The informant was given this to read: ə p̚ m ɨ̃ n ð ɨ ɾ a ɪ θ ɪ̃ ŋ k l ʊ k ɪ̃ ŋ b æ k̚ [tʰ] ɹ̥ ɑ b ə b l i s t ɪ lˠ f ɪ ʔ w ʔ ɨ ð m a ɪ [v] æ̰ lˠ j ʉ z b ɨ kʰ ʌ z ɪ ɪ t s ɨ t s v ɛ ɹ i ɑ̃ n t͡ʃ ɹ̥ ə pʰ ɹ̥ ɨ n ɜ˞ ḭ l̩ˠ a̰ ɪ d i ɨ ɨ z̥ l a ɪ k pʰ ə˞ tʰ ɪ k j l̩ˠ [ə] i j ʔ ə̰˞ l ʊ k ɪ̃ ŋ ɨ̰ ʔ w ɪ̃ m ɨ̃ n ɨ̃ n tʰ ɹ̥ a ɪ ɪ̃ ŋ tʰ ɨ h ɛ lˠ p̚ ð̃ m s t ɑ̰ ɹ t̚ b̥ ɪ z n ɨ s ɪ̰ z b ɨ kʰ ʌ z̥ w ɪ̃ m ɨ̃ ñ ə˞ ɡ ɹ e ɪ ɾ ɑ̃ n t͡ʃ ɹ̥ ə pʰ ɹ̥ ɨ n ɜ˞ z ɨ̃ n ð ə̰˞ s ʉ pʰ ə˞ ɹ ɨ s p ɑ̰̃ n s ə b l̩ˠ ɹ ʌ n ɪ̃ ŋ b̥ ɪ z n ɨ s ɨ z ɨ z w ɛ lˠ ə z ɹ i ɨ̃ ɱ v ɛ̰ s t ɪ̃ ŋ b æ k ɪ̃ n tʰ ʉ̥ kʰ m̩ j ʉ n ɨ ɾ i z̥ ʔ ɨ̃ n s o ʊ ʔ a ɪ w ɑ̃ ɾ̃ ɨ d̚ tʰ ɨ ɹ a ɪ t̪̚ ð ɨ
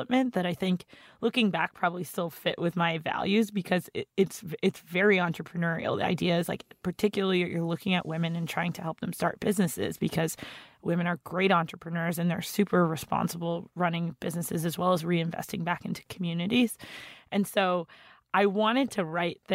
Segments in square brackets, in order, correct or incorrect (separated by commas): incorrect, correct, correct